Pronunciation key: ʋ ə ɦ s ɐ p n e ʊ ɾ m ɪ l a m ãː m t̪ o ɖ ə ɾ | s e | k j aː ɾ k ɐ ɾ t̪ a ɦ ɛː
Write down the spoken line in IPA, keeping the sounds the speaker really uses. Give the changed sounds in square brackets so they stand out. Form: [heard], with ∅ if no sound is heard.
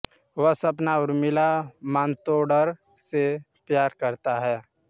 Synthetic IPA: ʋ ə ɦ s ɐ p n [a] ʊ ɾ m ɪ l a m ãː [n] t̪ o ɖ ə ɾ | s e | [p] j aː ɾ k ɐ ɾ t̪ a ɦ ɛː